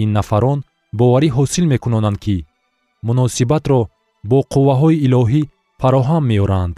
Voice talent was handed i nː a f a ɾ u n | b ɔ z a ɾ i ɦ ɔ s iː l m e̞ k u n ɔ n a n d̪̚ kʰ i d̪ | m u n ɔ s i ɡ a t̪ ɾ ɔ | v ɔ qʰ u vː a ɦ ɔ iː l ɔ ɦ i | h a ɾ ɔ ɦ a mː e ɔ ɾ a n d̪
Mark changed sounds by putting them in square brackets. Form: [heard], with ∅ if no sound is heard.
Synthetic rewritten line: i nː a f a ɾ [ɔ] n | b ɔ [v] a ɾ i ɦ ɔ s [i] l m e̞ k u n ɔ n a n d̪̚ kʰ i [∅] | m u n ɔ s i [b] a t̪ ɾ ɔ | [b] ɔ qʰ u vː a ɦ ɔ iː l ɔ ɦ i | [f] a ɾ ɔ ɦ a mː e ɔ ɾ a n d̪